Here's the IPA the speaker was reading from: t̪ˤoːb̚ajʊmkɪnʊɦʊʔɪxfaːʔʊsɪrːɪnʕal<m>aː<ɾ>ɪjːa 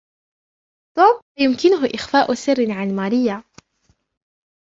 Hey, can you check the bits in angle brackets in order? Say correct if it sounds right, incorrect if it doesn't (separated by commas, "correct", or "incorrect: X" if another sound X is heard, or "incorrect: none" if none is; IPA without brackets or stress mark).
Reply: correct, correct